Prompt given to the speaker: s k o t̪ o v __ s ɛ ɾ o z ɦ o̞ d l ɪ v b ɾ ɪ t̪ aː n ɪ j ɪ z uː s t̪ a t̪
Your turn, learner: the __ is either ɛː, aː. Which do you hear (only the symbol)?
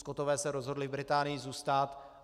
ɛː